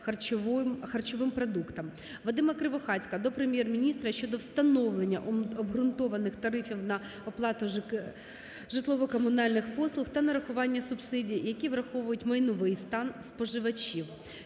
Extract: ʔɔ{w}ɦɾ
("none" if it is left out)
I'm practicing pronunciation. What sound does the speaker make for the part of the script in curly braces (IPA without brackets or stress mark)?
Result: b